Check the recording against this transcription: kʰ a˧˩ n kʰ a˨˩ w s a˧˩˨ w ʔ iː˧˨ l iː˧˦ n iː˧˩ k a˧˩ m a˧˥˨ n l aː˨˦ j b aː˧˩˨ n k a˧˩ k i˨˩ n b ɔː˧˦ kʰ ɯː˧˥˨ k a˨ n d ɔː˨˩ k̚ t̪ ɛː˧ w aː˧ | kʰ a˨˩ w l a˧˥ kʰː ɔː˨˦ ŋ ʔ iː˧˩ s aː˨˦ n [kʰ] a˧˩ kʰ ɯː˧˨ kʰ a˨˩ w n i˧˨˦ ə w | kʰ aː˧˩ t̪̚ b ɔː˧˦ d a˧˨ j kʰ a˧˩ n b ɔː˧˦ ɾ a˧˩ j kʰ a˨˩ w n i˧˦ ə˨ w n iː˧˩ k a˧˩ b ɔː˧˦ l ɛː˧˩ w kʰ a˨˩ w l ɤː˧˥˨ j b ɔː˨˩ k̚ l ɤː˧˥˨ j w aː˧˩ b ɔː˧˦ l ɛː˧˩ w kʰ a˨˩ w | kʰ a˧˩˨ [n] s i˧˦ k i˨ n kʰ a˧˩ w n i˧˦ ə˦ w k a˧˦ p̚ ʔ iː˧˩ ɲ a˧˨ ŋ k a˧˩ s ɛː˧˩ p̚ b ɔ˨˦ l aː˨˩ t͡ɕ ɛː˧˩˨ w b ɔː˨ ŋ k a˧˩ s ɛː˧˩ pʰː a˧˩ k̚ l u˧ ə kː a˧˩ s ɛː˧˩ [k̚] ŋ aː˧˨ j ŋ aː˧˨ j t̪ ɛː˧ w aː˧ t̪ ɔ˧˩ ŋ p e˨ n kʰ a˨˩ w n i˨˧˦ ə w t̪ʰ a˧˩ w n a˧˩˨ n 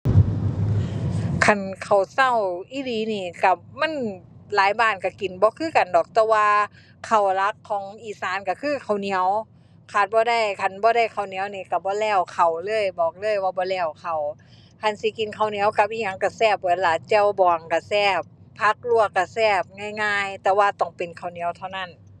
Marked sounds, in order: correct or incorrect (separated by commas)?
incorrect, correct, incorrect